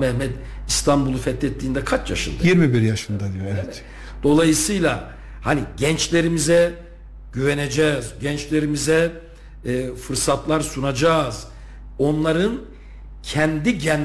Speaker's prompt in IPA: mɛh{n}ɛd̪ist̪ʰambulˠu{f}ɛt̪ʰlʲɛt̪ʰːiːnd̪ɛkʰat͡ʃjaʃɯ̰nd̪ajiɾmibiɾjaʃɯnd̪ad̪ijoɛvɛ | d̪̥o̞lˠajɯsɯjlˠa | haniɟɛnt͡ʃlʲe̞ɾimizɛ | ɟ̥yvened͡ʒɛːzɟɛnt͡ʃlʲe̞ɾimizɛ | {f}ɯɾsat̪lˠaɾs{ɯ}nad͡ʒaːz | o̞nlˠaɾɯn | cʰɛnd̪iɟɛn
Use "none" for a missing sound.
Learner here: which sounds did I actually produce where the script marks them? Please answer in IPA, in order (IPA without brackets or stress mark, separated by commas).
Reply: m, f, f, u